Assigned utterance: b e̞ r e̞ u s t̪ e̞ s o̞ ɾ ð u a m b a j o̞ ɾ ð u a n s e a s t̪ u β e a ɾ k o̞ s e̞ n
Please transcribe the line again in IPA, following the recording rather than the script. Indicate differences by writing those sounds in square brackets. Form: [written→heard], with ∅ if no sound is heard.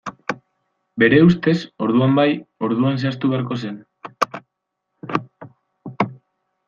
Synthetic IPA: b e̞ [r→ɾ] e̞ u s t̪ e̞ s o̞ ɾ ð u a m b a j o̞ ɾ ð u a n s e a s t̪ u β e a ɾ k o̞ s e̞ n